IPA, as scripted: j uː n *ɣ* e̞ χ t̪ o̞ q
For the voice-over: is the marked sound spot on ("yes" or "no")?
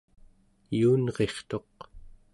no